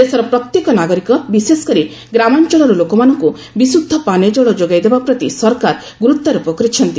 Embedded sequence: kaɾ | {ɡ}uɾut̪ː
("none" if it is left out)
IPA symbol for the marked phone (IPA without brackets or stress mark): ɡ